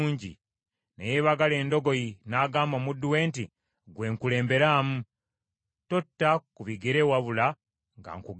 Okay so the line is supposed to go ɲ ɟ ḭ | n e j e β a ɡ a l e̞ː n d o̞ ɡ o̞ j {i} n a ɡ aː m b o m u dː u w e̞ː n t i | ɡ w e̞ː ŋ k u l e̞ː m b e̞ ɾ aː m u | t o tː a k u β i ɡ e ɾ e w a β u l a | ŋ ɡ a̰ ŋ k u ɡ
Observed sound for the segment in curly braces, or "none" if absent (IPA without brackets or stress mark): i